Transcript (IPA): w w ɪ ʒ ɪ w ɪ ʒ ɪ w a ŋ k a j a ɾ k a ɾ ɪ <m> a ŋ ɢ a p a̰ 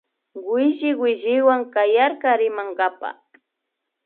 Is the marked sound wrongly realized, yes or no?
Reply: no